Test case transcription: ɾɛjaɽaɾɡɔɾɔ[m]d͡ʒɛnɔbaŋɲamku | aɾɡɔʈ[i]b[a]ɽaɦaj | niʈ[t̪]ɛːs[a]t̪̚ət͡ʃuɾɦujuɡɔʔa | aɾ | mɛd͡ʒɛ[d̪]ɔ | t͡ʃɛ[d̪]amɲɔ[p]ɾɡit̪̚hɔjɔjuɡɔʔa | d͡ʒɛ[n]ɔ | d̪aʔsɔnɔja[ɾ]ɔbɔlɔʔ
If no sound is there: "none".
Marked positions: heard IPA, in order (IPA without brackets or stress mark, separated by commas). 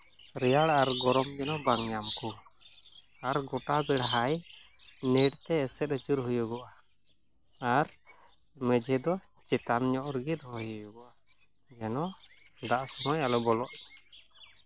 m, a, ɛ, t̪, ɛ, d̪, t̪, ʔ, n, l